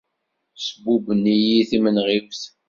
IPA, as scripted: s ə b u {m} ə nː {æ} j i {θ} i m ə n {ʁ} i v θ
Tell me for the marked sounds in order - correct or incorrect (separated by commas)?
incorrect, incorrect, correct, correct